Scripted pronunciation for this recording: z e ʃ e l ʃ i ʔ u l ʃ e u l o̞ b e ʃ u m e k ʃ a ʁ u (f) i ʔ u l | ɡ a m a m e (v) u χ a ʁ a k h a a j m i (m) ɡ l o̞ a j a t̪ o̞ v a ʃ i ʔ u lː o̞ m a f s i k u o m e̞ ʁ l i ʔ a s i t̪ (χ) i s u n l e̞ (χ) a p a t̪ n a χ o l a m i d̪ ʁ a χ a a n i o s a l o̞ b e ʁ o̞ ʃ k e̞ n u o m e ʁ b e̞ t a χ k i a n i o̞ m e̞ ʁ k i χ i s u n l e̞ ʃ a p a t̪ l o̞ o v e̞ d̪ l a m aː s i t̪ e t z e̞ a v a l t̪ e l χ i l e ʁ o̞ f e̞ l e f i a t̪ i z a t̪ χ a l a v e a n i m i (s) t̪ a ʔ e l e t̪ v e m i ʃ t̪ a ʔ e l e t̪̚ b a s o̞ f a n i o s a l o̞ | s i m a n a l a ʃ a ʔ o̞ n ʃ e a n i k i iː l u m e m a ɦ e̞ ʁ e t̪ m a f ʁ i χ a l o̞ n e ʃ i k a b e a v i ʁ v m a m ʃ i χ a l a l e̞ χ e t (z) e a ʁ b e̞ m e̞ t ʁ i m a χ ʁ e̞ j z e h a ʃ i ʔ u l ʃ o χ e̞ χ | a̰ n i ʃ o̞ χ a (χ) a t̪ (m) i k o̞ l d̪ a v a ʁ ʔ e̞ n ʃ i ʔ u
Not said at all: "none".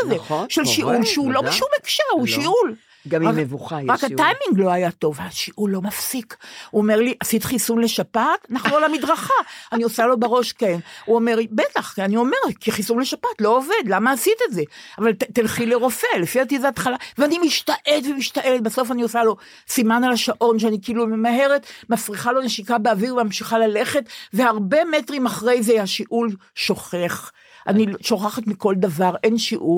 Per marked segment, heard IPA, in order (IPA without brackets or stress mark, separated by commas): ʃ, v, ŋ, χ, ʃ, ʃ, v, χ, m